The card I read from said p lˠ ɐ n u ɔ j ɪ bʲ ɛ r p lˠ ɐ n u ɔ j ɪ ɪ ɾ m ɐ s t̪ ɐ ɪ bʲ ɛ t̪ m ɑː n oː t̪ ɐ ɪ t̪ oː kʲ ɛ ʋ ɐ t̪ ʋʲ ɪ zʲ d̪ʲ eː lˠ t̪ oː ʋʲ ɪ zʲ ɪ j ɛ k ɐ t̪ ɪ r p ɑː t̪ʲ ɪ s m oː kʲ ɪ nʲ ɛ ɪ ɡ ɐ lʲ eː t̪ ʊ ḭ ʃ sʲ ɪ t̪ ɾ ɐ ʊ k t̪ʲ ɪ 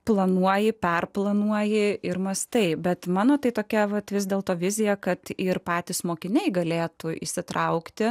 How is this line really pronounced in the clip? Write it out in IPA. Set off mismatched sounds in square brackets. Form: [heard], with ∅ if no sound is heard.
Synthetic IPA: p lˠ ɐ n u ɔ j ɪ [pʲ] ɛ r p lˠ ɐ n u ɔ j ɪ ɪ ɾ m ɐ s t̪ ɐ ɪ bʲ ɛ t̪ m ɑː n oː t̪ ɐ ɪ t̪ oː kʲ ɛ ʋ ɐ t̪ ʋʲ ɪ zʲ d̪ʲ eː lˠ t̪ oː ʋʲ ɪ zʲ ɪ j ɛ k ɐ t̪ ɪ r p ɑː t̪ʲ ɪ s m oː kʲ ɪ nʲ ɛ ɪ ɡ ɐ lʲ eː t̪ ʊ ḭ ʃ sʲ ɪ t̪ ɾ ɐ ʊ k t̪ʲ ɪ